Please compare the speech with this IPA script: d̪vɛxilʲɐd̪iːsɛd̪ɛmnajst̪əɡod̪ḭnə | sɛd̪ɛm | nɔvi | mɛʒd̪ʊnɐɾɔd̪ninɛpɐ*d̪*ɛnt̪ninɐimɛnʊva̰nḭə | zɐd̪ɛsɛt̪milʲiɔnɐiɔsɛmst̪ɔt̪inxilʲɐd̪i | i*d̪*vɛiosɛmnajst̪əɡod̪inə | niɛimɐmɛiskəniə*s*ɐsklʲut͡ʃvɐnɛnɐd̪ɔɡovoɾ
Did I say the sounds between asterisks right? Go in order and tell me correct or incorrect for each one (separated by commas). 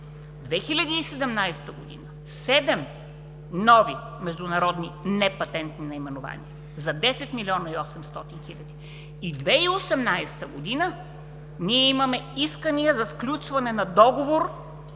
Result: incorrect, correct, incorrect